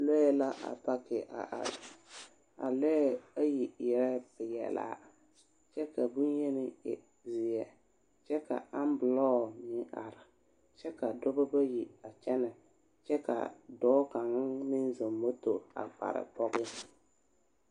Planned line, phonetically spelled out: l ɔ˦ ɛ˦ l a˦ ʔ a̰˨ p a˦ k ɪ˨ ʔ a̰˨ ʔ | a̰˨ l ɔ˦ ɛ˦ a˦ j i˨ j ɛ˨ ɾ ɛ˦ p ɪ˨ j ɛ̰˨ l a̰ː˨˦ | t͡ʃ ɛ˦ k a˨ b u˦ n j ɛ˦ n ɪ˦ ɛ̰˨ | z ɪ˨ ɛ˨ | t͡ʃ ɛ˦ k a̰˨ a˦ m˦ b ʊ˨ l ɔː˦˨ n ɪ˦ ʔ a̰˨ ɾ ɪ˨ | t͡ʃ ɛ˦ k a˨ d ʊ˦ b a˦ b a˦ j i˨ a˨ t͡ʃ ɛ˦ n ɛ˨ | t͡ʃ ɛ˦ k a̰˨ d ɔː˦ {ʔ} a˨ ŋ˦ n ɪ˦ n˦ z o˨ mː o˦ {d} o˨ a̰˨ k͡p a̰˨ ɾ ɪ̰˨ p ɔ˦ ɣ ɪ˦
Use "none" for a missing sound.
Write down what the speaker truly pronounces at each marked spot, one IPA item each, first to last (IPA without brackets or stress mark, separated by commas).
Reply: k, t